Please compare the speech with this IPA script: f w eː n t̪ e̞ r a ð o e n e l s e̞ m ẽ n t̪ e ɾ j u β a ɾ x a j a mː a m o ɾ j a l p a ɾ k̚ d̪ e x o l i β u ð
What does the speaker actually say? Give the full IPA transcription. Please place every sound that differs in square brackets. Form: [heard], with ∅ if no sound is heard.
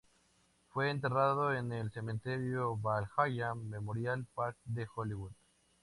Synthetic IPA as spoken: f w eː n t̪ e̞ r a ð o e n e l s e̞ m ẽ n t̪ e ɾ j [o] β a [l] x a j a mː [e] m o ɾ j a l p a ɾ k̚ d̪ e x o l i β u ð